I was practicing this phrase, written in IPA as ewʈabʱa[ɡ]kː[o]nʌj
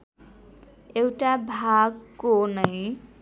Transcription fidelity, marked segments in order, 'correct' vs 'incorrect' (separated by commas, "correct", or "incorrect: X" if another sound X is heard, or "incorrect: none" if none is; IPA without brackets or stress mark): correct, correct